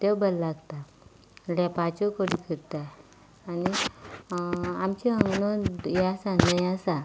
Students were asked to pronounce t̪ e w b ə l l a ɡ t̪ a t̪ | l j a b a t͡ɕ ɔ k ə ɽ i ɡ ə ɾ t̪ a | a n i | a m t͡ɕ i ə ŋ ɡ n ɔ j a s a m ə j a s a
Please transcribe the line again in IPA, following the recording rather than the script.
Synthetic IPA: t̪ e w b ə l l a ɡ t̪ a | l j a p a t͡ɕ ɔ k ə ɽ i k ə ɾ t̪ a | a n i | a m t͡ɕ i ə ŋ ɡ n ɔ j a s a n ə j a s a